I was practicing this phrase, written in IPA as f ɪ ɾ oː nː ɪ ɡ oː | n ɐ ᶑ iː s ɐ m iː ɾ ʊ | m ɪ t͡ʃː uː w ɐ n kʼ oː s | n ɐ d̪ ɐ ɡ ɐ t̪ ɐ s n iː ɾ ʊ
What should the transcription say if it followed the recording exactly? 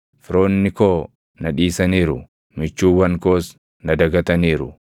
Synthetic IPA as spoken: f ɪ ɾ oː nː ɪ k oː | n ɐ ᶑ iː s ɐ n iː ɾ ʊ | m ɪ t͡ʃː uː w ɐ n k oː s | n ɐ d̪ ɐ ɡ ɐ t̪ ɐ n iː ɾ ʊ